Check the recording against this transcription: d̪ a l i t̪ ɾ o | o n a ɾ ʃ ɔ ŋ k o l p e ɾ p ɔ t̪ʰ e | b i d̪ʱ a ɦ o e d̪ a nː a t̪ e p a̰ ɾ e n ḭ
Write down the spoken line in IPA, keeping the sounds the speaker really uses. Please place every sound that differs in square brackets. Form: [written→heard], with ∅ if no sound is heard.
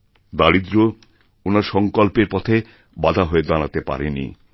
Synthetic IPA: d̪ a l i [t̪→d̪] ɾ o | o n a ɾ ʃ ɔ ŋ k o l p e ɾ p ɔ t̪ʰ e | b [i→a] d̪ʱ a ɦ o e d̪ a [nː→n] a t̪ e p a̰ ɾ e n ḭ